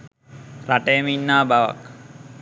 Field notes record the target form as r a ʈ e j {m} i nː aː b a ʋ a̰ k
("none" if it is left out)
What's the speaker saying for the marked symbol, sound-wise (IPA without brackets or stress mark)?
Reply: m